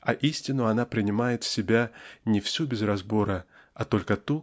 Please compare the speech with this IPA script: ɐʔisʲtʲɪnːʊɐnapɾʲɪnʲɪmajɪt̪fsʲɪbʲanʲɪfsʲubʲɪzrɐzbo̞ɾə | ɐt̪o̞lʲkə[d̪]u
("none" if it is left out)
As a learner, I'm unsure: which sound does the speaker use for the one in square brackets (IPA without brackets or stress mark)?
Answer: t̪